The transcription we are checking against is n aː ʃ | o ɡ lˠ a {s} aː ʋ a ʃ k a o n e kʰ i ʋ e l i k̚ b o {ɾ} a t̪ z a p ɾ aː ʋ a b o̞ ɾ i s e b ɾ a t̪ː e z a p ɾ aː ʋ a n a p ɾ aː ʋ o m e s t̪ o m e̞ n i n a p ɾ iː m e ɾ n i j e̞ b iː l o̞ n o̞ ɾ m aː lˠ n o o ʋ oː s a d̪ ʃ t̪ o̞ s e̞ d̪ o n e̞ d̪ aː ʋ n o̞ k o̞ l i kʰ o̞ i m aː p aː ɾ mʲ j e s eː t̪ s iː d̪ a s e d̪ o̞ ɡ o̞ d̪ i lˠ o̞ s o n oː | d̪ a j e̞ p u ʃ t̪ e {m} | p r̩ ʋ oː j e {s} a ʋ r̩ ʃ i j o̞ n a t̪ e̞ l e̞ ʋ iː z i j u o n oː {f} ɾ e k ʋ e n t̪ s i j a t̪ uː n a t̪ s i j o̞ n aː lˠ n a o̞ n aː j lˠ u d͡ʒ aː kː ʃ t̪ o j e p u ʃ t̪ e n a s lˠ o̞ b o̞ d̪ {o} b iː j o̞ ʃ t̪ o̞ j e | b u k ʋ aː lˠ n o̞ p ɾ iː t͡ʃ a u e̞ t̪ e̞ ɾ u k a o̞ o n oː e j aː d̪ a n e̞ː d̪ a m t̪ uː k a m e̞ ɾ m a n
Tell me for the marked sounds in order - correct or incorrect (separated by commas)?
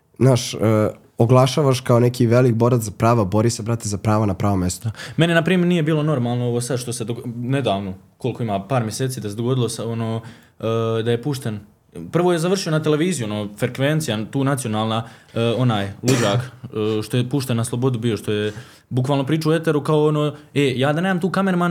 incorrect, correct, incorrect, incorrect, correct, incorrect